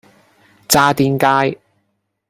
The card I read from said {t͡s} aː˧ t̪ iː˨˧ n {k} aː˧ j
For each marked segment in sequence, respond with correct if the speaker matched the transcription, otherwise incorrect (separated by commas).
correct, correct